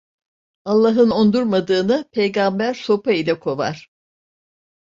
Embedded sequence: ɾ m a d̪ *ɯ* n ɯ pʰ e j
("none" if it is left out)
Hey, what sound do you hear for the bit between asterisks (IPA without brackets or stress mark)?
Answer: ɯː